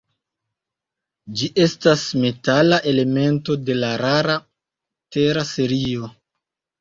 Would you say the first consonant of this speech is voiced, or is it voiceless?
voiced